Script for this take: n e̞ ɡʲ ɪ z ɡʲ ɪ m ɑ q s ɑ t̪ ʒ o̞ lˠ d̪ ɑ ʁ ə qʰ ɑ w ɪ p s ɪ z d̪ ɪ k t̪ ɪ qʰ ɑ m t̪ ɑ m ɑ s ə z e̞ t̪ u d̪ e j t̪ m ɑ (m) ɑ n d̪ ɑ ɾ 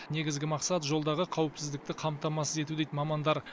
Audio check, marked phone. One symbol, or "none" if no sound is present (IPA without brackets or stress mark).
m